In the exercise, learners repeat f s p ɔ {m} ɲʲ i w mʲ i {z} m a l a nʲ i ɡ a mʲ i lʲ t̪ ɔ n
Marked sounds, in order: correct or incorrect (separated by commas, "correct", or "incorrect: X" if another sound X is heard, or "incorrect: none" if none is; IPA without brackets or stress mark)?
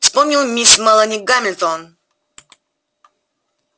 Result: correct, incorrect: s